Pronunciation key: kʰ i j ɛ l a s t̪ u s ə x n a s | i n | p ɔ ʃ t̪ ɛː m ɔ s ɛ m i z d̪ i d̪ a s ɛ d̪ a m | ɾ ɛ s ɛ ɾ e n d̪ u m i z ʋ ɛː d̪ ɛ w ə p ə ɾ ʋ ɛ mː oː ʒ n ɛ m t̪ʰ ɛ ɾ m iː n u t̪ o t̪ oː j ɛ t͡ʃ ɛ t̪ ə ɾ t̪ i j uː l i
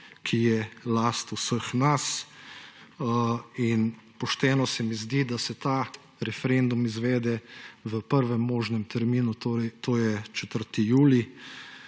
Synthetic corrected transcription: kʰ i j ɛ l a s t̪ u s ə x n a s | i n | p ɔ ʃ t̪ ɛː n ɔ s ɛ m i z d̪ i d̪ a s ɛ t̪ a | ɾ ɛ f ɛ ɾ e n d̪ u m i z ʋ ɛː d̪ ɛ ʋ ə p ə ɾ ʋ ɛ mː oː ʒ n ɛ m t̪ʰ ɛ ɾ m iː n u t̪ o t̪ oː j ɛ t͡ʃ ɛ t̪ ə ɾ t̪ i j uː l i

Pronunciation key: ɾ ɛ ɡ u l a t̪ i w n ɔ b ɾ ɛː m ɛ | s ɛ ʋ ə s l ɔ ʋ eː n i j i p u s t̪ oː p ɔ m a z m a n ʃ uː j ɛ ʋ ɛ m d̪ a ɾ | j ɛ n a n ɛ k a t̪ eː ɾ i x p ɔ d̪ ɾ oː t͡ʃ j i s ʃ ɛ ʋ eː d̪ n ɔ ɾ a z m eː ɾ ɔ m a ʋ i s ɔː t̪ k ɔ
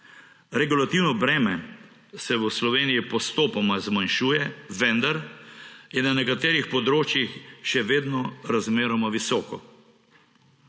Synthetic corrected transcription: ɾ ɛ ɡ u l a t̪ i w n ɔ b ɾ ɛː m ɛ | s ɛ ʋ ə s l ɔ ʋ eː n i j i p ɔ s t̪ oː p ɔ m a z m a n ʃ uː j ɛ ʋ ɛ n d̪ a ɾ | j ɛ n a n ɛ k a t̪ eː ɾ i x p ɔ d̪ ɾ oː t͡ʃ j i x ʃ ɛ ʋ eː d̪ n ɔ ɾ a z m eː ɾ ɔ m a ʋ i s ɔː k ɔ

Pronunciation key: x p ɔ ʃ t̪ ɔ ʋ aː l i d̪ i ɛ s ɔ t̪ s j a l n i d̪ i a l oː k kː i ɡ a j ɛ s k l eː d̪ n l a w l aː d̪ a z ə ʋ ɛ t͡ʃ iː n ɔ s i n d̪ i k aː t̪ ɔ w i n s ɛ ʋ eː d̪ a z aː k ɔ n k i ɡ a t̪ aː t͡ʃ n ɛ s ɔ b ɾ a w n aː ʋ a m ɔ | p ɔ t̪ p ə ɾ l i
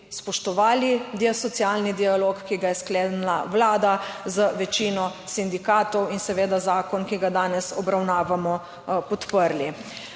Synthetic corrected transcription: s p ɔ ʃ t̪ ɔ ʋ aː l i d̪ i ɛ s ɔ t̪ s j a l n i d̪ i a l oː k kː i ɡ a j ɛ s k l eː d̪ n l a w l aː d̪ a z ə ʋ ɛ t͡ʃ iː n ɔ s i n d̪ i k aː t̪ ɔ w i n s ɛ ʋ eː d̪ a z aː k ɔ n k i ɡ a d̪ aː n ɛ s ɔ b ɾ a w n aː ʋ a m ɔ | p ɔ t̪ p ə ɾ l i

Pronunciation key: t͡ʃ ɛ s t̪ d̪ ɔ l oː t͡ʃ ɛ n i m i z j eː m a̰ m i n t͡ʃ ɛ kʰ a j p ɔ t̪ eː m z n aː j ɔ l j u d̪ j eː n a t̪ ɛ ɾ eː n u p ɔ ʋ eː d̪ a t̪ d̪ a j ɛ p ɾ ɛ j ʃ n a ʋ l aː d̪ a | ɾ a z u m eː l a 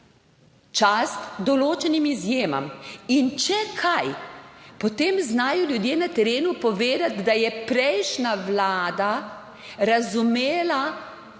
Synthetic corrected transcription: t͡ʃ a s t̪ d̪ ɔ l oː t͡ʃ ɛ n i m i z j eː m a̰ m i n t͡ʃ ɛ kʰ a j p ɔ t̪ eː m z n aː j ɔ l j u d̪ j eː n a t̪ ɛ ɾ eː n u p ɔ ʋ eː d̪ a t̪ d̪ a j ɛ p ɾ ɛ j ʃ n a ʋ l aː d̪ a | ɾ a z u m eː l a

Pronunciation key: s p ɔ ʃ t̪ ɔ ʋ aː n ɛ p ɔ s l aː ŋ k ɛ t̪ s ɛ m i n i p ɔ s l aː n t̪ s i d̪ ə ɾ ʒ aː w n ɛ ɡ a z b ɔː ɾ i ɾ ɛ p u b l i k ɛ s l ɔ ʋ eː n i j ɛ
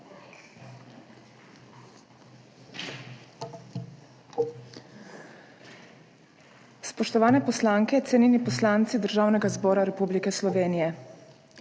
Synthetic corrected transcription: s p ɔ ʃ t̪ ɔ ʋ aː n ɛ p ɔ s l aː ŋ k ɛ t̪ s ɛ n i n i p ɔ s l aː n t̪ s i d̪ ə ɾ ʒ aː w n ɛ ɡ a z b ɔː ɾ a ɾ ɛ p u b l i k ɛ s l ɔ ʋ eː n i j ɛ

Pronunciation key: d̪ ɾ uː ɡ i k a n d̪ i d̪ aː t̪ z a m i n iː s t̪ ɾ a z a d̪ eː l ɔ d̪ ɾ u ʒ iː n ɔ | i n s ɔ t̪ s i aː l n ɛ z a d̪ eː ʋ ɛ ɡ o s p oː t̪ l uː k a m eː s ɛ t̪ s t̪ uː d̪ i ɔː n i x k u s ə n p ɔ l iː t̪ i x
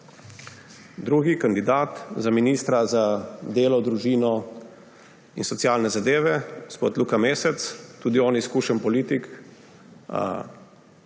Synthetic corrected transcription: d̪ ɾ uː ɡ i k a n d̪ i d̪ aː t̪ z a m i n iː s t̪ ɾ a z a d̪ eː l ɔ d̪ ɾ u ʒ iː n ɔ | i n s ɔ t̪ s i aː l n ɛ z a d̪ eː ʋ ɛ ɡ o s p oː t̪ l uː k a m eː s ɛ t̪ s t̪ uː d̪ i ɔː n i s k u ʃ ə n p ɔ l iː t̪ i k

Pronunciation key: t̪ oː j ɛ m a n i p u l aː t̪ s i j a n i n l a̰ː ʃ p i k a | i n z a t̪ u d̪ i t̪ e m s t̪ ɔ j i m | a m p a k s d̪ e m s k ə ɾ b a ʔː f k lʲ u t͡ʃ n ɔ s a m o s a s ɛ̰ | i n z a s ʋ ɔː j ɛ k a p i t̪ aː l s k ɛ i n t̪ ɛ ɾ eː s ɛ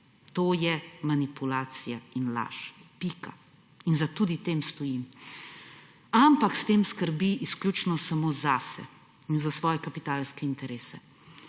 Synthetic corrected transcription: t̪ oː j ɛ m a n i p u l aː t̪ s i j a i n l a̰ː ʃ p i k a | i n z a t̪ u d̪ i t̪ e m s t̪ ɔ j i m | a m p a k s t̪ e m s k ə ɾ b i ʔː s k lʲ u t͡ʃ n ɔ s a m o z a s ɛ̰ | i n z a s ʋ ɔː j ɛ k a p i t̪ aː l s k ɛ i n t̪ ɛ ɾ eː s ɛ

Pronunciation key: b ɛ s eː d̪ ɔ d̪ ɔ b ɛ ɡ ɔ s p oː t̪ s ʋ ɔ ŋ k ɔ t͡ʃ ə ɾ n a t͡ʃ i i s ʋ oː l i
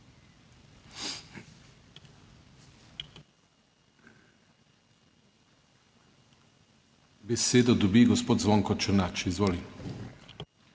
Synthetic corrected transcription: b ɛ s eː d̪ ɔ d̪ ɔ b i ɡ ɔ s p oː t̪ z ʋ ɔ ŋ k ɔ t͡ʃ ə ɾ n a t͡ʃ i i z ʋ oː l i

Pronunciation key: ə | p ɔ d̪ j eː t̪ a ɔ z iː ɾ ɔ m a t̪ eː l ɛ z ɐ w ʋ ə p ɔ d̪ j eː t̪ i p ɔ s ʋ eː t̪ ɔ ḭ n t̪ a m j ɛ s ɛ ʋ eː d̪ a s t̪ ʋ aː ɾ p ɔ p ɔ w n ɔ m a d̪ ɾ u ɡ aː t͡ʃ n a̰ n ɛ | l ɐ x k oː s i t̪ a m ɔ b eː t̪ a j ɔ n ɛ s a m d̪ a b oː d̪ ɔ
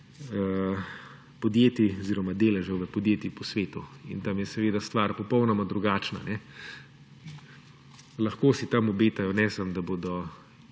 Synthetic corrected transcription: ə | p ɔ d̪ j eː t̪ i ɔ z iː ɾ ɔ m a d̪ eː l ɛ ʒ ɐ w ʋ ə p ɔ d̪ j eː t̪ i p ɔ s ʋ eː t̪ u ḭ n t̪ a m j ɛ s ɛ ʋ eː d̪ a s t̪ ʋ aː ɾ p ɔ p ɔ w n ɔ m a d̪ ɾ u ɡ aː t͡ʃ n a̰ n ɛ | l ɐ x k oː s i t̪ a m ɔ b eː t̪ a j ɔ n ɛ s a m d̪ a b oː d̪ ɔ

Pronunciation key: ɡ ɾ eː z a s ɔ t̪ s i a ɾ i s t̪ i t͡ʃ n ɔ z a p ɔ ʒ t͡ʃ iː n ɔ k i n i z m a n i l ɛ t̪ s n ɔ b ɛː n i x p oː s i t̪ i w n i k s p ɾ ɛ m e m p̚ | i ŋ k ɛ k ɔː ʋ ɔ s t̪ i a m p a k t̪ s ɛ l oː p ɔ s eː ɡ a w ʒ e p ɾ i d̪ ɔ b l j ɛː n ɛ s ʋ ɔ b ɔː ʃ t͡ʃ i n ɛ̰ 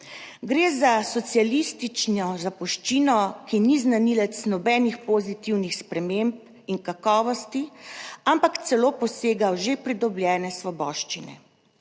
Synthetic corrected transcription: ɡ ɾ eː z a s ɔ t̪ s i a l i s t̪ i t͡ʃ n ɔ z a p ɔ ʃ t͡ʃ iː n ɔ k i n i z n a n i l ɛ t̪ s n ɔ b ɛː n i x p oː z i t̪ i w n i x s p ɾ ɛ m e m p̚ | i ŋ k a k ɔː ʋ ɔ s t̪ i a m p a k t̪ s ɛ l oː p ɔ s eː ɡ a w ʒ e p ɾ i d̪ ɔ b l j ɛː n ɛ s ʋ ɔ b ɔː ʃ t͡ʃ i n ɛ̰

